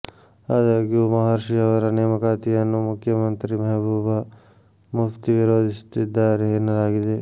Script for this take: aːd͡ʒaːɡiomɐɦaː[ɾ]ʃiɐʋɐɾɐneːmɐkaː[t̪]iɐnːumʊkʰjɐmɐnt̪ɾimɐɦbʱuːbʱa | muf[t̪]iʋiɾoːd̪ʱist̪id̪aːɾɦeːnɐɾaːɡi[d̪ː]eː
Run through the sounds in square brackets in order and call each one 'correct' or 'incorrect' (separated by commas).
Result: correct, correct, correct, incorrect